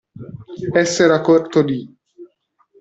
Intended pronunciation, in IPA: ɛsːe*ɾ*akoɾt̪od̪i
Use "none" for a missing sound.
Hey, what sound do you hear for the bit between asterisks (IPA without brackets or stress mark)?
ɾ